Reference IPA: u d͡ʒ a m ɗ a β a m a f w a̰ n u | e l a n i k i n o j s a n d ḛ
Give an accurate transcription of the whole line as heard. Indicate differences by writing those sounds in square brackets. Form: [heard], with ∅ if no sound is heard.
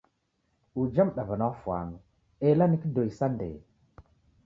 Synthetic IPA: u d͡ʒ a m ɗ a [v] a [n] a f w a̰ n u | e l a n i k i [d] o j s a n d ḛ